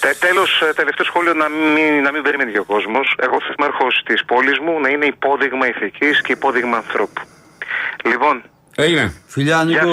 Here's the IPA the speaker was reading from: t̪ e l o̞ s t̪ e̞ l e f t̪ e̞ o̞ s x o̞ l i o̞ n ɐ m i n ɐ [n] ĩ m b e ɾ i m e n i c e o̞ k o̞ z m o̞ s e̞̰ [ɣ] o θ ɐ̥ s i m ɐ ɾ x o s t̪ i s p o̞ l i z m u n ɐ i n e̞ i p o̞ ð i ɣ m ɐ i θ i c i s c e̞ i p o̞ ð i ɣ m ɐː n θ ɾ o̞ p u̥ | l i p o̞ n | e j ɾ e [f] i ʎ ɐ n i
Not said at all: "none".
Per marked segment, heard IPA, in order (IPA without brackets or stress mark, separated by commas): m, ɣ, f